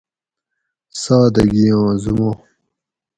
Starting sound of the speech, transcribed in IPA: s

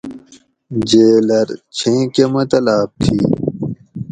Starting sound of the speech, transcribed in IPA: d͡ʑ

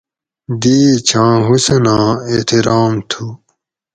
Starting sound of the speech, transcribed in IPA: d̪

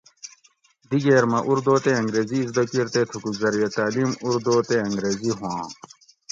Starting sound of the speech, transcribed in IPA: d̪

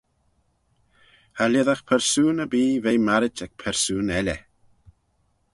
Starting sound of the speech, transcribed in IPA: h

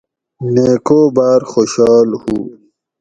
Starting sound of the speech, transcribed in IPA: n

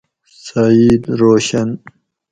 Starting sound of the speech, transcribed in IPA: s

